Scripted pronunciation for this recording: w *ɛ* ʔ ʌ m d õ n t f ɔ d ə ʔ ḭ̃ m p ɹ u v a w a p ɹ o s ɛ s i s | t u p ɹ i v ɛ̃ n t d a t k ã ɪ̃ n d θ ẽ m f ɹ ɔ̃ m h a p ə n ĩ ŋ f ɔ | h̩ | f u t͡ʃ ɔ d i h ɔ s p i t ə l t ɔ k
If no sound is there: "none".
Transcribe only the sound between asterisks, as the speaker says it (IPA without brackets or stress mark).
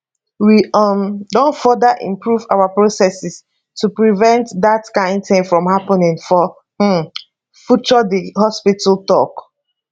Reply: i